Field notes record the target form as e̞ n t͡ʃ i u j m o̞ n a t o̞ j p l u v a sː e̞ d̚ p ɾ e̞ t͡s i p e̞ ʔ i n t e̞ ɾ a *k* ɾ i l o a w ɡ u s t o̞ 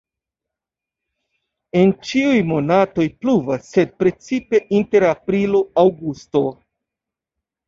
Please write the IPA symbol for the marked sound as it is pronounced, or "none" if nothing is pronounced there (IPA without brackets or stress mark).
p